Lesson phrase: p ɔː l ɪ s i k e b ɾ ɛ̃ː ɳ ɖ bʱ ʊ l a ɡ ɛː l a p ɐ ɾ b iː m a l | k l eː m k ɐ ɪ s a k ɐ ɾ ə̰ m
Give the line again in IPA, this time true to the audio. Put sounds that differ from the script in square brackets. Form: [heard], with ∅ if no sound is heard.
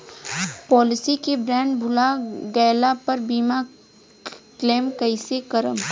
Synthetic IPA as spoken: p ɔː l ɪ s i k e b ɾ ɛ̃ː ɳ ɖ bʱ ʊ l a ɡ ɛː l a p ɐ ɾ b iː m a [∅] | k l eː m k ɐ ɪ s [e] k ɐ ɾ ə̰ m